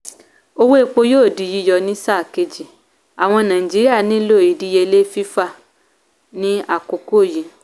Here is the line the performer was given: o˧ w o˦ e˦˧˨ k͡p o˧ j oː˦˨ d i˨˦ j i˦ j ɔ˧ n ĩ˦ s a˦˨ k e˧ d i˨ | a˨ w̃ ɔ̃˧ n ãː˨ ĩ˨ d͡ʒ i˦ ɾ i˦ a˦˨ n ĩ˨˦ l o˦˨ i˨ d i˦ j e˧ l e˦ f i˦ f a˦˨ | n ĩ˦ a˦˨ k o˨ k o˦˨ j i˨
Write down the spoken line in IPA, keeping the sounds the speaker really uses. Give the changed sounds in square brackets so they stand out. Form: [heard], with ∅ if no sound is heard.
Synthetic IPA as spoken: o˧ w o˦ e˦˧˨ k͡p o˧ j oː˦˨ d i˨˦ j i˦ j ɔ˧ n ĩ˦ s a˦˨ k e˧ [d͡ʒ] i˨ | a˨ w̃ ɔ̃˧ n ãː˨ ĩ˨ d͡ʒ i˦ ɾ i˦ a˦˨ n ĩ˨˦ l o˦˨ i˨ d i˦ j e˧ l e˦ f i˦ f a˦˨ | n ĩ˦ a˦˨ k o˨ k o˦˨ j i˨

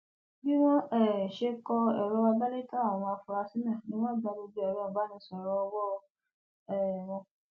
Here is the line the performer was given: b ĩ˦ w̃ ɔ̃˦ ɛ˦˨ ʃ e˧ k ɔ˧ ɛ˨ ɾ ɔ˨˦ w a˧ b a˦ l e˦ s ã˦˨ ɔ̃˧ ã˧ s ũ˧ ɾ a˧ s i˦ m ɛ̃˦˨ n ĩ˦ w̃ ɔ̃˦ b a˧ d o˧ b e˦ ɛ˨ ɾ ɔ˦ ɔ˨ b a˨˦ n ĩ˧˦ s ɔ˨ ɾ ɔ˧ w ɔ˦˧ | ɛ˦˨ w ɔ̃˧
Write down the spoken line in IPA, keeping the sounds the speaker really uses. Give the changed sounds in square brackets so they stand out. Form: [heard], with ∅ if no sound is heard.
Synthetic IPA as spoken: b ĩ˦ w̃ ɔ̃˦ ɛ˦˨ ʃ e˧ k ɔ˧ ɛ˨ ɾ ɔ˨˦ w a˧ b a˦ l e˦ [t] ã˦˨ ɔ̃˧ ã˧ [f] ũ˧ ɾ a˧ s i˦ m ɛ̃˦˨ n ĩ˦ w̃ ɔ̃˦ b a˧ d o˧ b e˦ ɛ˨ ɾ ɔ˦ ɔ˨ b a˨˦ n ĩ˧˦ s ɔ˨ ɾ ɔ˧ w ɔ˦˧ | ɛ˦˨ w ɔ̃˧

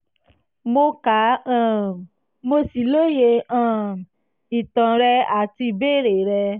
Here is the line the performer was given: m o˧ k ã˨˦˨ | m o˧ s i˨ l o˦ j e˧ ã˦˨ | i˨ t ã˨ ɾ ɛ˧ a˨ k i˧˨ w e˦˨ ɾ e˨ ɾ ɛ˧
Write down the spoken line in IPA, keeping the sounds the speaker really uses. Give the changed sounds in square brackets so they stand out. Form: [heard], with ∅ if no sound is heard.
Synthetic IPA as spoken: m o˧ k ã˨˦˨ | m o˧ s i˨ l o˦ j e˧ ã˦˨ | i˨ t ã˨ ɾ ɛ˧ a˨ [t] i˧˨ [b] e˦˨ ɾ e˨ ɾ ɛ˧

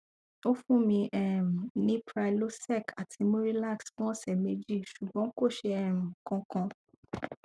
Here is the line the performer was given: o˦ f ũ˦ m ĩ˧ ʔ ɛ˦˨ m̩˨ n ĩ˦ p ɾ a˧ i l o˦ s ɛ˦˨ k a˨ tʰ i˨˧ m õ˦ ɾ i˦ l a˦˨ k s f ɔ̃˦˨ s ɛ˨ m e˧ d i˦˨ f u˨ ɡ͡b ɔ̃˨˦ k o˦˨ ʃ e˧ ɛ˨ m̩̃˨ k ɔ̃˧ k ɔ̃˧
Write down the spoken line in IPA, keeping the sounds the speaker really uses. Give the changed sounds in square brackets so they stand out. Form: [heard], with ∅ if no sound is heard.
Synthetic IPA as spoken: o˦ f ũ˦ m ĩ˧ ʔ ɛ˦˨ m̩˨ n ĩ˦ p ɾ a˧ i l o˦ s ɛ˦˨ k a˨ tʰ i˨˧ m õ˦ ɾ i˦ l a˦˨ k s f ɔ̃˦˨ s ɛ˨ m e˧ [d͡ʒ] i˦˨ [ʃ] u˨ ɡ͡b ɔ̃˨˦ k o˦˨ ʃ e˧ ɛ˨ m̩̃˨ k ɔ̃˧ k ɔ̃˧

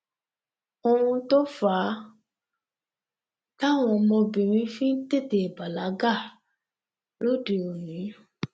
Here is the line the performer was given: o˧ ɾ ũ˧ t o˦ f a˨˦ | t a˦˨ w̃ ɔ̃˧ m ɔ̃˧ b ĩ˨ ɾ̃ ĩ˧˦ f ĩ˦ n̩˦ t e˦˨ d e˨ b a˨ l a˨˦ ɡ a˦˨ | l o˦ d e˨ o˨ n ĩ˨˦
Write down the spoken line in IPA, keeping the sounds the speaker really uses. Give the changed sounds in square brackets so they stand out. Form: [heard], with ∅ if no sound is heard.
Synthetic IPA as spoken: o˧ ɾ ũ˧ t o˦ f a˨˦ | t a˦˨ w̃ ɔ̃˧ m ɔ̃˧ b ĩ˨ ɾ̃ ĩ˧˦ f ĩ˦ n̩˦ t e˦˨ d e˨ b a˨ l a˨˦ ɡ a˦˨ | l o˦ d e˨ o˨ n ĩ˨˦

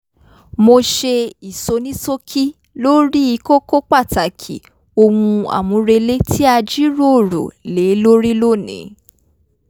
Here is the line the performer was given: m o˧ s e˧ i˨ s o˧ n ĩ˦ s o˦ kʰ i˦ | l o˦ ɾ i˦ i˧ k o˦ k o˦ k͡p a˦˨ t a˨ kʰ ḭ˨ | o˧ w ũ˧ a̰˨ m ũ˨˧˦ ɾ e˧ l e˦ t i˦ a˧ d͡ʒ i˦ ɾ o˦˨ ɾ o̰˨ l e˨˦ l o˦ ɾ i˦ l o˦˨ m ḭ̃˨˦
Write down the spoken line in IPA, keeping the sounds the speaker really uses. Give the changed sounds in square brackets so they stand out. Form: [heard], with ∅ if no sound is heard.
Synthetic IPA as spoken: m o˧ [ʃ] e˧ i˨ s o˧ n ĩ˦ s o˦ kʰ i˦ | l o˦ ɾ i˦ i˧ k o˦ k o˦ k͡p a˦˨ t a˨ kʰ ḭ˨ | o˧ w ũ˧ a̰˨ m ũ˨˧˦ ɾ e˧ l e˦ t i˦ a˧ d͡ʒ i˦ ɾ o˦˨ ɾ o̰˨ l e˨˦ l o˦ ɾ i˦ l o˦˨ [n] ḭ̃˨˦

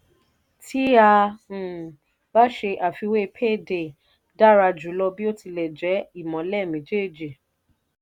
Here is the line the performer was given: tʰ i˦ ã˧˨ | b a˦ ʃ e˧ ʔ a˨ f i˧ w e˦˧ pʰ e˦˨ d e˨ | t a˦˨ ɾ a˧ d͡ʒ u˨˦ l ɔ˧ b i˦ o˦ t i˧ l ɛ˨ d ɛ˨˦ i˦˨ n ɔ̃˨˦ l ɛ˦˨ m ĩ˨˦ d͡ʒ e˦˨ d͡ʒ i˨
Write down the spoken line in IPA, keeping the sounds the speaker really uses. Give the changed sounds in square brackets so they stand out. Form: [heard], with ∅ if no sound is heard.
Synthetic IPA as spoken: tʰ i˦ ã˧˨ | b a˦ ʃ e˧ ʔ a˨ f i˧ w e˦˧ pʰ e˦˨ d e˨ | [d] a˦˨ ɾ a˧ d͡ʒ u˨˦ l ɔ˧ b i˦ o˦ t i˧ l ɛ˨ [d͡ʒ] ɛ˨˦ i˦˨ [m] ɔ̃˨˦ l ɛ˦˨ m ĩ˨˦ d͡ʒ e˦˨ d͡ʒ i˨

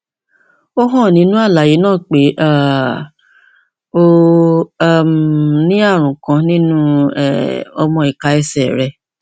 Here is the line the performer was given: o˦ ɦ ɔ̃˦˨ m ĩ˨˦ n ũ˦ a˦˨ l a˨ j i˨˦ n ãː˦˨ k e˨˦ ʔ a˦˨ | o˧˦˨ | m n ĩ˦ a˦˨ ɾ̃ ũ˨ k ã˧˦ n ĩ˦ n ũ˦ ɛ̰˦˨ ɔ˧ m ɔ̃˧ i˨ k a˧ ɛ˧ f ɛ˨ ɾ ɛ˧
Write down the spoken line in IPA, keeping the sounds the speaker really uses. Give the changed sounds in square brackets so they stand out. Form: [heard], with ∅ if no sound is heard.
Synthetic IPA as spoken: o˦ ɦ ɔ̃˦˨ [n] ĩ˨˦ n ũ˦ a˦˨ l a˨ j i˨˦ n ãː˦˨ [k͡p] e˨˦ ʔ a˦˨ | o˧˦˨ | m n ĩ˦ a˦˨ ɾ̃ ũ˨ k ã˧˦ n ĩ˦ n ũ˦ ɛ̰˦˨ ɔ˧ m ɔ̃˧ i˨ k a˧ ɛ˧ [s] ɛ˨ ɾ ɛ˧

